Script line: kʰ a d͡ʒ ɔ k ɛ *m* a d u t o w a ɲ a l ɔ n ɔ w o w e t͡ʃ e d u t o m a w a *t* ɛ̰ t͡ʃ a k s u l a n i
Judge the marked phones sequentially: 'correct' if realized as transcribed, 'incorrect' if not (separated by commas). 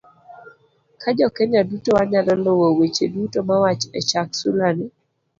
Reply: incorrect, incorrect